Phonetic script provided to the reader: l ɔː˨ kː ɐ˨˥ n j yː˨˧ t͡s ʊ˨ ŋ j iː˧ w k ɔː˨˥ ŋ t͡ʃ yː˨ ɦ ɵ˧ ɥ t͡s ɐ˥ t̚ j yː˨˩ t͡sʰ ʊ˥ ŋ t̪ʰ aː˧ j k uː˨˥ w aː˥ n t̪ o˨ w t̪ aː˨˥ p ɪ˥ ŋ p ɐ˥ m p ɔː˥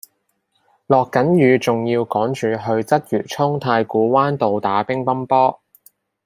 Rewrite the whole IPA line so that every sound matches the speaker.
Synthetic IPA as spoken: l ɔː˨ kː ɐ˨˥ n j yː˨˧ t͡s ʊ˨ ŋ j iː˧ w k ɔː˨˥ ŋ t͡ʃ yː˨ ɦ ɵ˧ ɥ t͡s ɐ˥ t̚ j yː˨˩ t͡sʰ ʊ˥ ŋ t̪ʰ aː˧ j k uː˨˥ w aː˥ n t̪ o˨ w t̪ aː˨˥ p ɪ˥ ŋ p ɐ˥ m p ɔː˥

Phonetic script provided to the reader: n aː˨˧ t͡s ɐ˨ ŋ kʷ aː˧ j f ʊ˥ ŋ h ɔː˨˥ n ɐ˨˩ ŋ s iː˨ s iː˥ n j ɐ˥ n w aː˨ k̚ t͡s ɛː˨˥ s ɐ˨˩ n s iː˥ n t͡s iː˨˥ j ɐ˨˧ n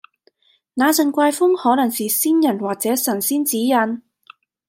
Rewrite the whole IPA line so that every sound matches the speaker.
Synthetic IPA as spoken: n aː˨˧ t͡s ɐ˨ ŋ kʷ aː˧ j f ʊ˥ ŋ h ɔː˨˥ n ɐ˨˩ ŋ s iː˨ s iː˥ n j ɐ˨˩ n w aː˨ k̚ t͡s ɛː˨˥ s ɐ˨˩ n s iː˥ n t͡s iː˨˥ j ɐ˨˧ n

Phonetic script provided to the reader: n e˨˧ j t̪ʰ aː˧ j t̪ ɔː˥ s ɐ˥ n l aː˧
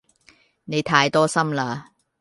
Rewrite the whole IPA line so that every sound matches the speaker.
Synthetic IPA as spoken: n e˨˧ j t̪ʰ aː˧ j t̪ ɔː˥ s ɐ˥ m l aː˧

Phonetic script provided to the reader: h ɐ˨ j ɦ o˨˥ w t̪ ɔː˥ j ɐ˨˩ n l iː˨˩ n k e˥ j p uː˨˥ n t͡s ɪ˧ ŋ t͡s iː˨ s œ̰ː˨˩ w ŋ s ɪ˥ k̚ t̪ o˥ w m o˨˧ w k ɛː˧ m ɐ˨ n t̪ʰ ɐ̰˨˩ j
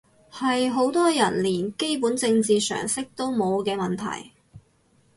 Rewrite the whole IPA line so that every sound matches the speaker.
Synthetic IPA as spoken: h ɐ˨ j ɦ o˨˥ w t̪ ɔː˥ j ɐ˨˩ n l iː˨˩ n k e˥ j p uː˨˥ n t͡s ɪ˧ ŋ t͡s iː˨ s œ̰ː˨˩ ŋ s ɪ˥ k̚ t̪ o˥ w m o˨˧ w k ɛː˧ m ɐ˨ n t̪ʰ ɐ̰˨˩ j

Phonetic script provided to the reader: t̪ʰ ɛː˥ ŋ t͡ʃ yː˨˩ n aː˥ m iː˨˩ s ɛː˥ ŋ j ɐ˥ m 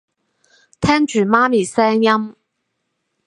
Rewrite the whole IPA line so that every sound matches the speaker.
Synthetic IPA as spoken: t̪ʰ ɛː˥ ŋ t͡ʃ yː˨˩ m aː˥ m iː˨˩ s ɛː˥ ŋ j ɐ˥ m

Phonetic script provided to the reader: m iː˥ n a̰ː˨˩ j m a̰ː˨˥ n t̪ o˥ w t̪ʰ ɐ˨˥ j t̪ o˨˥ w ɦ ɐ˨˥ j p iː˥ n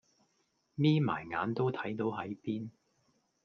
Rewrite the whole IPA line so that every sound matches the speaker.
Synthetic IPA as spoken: m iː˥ m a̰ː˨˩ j ŋ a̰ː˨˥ n t̪ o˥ w t̪ʰ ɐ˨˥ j t̪ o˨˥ w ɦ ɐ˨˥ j p iː˥ n

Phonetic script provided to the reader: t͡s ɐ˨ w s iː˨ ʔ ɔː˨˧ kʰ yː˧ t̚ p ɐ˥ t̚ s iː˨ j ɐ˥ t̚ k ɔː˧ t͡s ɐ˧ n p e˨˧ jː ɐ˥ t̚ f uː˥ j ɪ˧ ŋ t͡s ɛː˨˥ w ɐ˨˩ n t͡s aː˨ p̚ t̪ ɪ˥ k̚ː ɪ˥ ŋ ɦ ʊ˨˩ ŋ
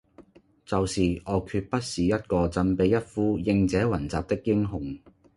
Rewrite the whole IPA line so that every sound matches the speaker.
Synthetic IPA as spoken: t͡s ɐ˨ w s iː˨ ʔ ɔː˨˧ kʰ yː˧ t̚ p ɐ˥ t̚ s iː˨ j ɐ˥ t̚ k ɔː˧ t͡s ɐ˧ n p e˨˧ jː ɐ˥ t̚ f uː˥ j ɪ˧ ŋ t͡s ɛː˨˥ w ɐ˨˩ n t͡s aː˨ p̚ t̪ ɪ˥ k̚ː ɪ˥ ŋ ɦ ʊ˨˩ ŋ

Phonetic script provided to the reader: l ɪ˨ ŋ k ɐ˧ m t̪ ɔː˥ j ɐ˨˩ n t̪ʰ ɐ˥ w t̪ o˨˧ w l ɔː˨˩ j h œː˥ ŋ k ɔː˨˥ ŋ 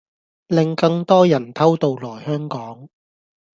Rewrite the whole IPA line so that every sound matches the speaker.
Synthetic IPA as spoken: l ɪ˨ ŋ k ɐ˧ ŋ t̪ ɔː˥ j ɐ˨˩ n t̪ʰ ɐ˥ w t̪ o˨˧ w l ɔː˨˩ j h œː˥ ŋ k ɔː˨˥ ŋ

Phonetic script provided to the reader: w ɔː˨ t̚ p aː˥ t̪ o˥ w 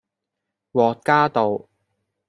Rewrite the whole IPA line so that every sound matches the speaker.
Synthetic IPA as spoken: w ɔː˨ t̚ k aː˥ t̪ o˨ w

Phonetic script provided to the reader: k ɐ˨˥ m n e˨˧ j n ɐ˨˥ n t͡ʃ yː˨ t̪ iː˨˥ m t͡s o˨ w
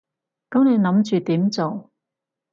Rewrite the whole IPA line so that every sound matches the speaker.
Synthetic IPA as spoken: k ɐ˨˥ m n e˨˧ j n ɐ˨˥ m t͡ʃ yː˨ t̪ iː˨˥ m t͡s o˨ w

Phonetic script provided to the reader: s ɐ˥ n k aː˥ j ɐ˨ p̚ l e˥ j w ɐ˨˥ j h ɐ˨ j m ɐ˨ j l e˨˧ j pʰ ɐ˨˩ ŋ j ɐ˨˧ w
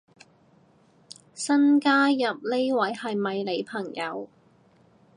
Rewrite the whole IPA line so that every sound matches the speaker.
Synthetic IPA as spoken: s ɐ˥ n k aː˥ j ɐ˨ p̚ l e˥ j w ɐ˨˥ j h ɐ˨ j m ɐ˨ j l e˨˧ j pʰ ɐ˨˩ ŋ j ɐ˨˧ w

